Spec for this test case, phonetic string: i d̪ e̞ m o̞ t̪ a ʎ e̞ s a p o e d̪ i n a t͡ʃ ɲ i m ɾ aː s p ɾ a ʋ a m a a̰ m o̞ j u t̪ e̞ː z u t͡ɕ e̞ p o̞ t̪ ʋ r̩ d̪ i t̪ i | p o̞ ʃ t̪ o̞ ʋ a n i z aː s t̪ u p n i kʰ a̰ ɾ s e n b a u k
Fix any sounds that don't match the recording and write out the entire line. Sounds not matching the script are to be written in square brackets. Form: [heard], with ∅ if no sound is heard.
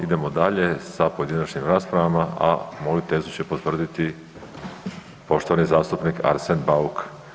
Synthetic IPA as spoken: i d̪ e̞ m o̞ [d̪] a ʎ e̞ s a p o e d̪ i n a t͡ʃ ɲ i m ɾ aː s p ɾ a ʋ a m a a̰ m o̞ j u t̪ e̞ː z u t͡ɕ e̞ p o̞ t̪ ʋ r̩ d̪ i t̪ i | p o̞ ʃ t̪ o̞ ʋ a n i z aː s t̪ u p n i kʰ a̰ ɾ s e n b a u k